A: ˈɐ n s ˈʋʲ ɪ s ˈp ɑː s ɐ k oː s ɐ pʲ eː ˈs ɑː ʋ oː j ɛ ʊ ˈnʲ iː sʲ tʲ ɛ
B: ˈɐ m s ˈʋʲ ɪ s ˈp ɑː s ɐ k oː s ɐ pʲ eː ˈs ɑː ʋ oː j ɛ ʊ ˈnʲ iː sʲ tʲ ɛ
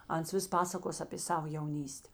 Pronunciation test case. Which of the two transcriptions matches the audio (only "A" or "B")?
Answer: A